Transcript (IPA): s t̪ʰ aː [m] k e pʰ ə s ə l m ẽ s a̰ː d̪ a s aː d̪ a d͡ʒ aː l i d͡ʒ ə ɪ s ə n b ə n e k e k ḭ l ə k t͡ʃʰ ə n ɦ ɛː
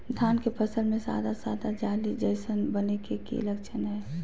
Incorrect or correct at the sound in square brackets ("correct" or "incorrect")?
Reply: incorrect